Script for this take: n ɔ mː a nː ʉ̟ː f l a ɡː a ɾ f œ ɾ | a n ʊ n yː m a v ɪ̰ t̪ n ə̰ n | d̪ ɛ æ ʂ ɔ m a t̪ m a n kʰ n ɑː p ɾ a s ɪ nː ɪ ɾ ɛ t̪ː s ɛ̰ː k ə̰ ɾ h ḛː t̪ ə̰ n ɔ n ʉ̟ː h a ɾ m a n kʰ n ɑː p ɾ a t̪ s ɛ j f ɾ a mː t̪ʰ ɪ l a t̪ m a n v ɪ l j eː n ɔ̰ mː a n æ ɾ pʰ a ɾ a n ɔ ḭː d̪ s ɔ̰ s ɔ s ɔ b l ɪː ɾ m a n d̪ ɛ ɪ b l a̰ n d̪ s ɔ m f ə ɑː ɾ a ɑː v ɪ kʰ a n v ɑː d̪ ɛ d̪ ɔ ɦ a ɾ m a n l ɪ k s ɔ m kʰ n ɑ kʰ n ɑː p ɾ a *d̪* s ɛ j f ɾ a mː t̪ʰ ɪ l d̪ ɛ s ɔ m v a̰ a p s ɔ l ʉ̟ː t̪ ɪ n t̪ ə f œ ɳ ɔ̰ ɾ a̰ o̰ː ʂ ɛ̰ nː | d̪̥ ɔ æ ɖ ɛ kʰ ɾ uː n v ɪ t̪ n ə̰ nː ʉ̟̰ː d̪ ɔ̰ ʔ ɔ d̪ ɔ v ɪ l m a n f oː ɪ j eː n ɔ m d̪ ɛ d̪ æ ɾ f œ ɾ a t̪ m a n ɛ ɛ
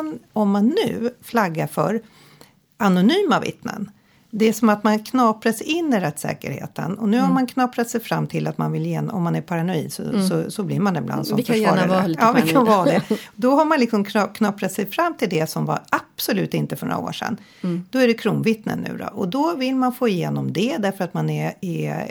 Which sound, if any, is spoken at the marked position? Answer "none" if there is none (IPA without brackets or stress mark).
t̪